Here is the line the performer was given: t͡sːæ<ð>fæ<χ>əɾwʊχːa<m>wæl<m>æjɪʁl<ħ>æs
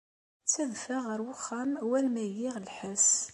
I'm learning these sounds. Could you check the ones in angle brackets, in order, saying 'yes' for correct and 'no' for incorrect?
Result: yes, no, yes, yes, yes

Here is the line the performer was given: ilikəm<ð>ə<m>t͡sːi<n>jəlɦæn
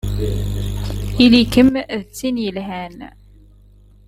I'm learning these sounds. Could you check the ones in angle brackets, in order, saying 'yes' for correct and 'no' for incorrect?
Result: yes, no, yes

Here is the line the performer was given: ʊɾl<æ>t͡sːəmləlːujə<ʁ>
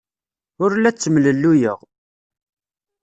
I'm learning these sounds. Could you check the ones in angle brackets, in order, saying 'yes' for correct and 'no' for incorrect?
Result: yes, yes

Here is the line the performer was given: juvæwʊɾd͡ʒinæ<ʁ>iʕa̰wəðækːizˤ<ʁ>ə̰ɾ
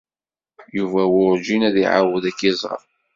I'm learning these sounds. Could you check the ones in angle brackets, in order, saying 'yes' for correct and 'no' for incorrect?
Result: no, yes

